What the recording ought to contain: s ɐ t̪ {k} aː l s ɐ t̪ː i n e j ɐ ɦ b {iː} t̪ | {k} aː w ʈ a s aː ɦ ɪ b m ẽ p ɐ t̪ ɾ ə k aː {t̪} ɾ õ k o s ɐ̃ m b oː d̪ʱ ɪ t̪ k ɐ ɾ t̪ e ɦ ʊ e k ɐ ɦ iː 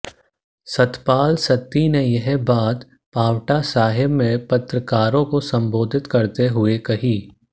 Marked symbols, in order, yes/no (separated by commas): no, no, no, no